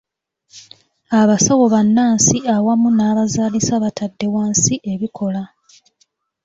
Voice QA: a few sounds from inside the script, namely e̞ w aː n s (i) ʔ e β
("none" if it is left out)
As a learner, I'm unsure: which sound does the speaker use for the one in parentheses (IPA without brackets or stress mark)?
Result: i